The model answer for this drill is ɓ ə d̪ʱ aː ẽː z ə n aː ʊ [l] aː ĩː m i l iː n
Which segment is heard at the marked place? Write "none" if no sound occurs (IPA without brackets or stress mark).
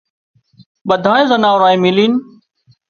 ɾ